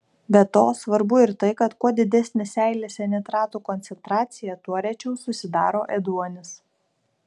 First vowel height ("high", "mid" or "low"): mid